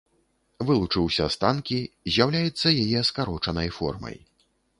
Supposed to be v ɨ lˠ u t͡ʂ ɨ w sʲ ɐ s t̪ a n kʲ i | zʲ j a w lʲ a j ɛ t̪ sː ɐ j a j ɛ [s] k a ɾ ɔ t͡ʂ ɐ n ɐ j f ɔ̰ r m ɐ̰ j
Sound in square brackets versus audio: correct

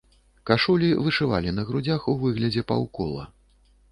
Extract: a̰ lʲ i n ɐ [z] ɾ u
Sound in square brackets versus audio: incorrect: ɣ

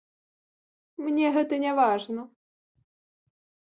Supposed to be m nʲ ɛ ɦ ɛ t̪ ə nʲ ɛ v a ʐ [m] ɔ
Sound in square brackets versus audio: incorrect: n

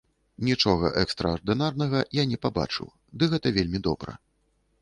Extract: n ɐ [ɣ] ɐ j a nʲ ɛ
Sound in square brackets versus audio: correct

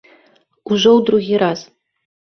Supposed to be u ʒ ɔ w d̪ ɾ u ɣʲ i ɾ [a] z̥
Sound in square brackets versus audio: correct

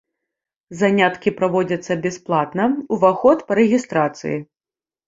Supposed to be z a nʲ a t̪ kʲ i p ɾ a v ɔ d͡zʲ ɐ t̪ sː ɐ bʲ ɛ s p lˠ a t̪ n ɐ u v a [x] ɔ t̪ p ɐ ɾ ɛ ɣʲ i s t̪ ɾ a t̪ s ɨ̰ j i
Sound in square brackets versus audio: correct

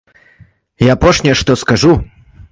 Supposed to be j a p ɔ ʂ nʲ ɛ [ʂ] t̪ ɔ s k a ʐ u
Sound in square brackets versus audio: correct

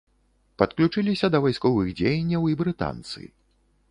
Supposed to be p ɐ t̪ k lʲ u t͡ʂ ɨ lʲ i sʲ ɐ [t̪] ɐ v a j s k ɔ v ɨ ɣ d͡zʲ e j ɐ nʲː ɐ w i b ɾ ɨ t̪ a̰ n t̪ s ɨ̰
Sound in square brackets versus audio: incorrect: d̪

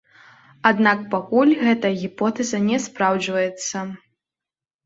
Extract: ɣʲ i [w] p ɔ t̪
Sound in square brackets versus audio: incorrect: none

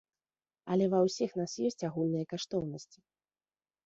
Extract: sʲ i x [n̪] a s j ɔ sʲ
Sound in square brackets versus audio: correct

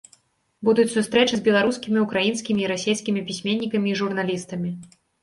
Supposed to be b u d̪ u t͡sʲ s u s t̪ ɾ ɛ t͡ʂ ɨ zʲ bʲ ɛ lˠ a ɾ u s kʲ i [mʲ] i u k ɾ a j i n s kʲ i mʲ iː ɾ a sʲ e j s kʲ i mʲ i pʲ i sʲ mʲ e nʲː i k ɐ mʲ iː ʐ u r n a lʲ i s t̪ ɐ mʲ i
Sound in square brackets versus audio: correct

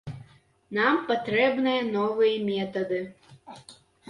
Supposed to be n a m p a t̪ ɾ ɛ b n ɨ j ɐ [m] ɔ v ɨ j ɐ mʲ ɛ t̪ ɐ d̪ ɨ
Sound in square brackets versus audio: incorrect: n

